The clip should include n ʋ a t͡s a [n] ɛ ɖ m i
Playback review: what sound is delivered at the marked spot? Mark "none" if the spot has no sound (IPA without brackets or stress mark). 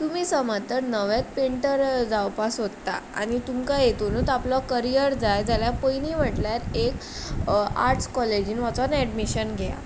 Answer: n